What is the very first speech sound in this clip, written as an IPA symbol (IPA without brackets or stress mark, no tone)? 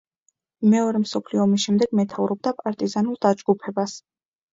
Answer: m